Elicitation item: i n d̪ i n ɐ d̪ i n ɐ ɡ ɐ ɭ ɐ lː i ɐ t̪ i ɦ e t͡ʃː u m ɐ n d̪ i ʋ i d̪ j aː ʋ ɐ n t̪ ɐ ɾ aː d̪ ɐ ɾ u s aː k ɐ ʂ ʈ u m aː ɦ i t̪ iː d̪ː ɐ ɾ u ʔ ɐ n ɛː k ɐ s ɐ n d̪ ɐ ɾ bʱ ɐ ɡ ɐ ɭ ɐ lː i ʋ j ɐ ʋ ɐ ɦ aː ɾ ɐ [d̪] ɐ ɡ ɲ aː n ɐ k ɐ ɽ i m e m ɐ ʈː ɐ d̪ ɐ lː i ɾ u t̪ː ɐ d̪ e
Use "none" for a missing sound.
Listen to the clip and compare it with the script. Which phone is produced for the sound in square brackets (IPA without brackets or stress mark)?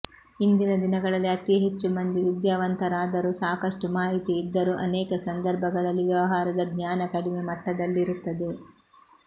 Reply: d̪